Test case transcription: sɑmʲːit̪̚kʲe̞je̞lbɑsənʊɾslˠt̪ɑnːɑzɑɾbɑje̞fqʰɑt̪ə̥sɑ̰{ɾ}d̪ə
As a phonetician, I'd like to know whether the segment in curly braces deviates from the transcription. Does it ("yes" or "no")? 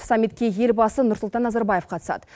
yes